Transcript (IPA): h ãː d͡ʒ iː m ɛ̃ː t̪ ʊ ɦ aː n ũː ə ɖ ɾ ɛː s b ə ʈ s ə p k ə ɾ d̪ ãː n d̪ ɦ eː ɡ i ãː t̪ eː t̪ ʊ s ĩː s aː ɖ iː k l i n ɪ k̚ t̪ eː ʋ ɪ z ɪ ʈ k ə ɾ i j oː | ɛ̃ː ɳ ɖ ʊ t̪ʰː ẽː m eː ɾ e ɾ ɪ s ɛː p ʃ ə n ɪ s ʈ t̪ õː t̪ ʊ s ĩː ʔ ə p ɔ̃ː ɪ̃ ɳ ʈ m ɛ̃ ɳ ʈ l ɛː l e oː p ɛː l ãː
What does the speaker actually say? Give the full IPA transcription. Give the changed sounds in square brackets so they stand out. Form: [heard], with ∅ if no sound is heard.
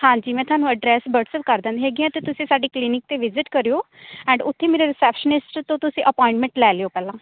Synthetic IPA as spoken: h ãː d͡ʒ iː m ɛ̃ː t̪ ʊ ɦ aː n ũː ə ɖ ɾ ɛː s b ə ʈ s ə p k ə ɾ d̪ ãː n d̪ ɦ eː ɡ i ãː t̪ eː t̪ ʊ s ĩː s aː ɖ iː k l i n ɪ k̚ t̪ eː ʋ ɪ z ɪ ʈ k ə ɾ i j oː | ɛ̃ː ɳ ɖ ʊ t̪ʰː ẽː m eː ɾ e ɾ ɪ s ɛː p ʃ ə n ɪ s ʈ t̪ õː t̪ ʊ s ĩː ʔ ə p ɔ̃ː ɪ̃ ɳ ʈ m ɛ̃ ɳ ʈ l ɛː l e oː p ɛː l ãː